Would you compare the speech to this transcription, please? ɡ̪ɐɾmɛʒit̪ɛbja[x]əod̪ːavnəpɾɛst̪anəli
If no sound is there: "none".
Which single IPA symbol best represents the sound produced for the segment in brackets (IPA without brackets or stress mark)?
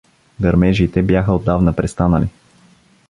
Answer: x